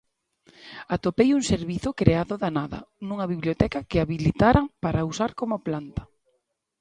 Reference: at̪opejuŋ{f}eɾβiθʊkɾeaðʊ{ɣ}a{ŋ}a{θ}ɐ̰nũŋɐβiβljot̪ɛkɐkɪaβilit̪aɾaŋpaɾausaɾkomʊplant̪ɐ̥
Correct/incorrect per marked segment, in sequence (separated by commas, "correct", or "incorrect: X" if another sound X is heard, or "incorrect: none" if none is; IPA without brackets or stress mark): incorrect: s, incorrect: ð, incorrect: n, incorrect: ð